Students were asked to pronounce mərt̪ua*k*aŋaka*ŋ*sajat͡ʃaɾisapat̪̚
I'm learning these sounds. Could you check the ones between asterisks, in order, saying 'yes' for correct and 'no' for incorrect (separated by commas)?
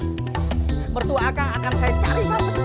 yes, no